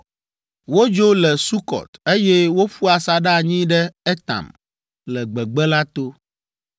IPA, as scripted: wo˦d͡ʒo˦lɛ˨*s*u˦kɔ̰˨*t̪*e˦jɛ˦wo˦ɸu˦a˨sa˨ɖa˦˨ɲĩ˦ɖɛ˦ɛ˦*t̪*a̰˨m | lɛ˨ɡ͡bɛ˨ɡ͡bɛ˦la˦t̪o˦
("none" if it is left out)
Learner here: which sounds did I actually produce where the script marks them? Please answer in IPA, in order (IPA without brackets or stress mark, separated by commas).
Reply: s, t̪, t̪